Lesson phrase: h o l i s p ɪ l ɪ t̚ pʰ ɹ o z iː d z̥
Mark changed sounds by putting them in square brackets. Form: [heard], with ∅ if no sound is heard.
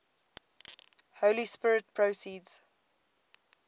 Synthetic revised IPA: h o l i s p ɪ [ɹ] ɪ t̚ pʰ ɹ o [s] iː d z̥